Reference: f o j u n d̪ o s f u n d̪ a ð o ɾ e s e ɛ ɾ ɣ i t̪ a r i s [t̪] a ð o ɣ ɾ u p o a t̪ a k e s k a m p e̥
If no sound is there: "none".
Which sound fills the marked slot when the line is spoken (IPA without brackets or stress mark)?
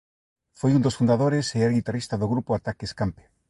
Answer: t̪